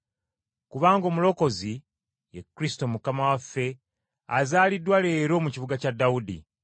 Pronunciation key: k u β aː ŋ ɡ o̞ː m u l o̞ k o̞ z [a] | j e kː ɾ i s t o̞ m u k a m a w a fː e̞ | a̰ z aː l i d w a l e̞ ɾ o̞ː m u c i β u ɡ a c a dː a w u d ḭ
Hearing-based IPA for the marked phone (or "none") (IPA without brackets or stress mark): i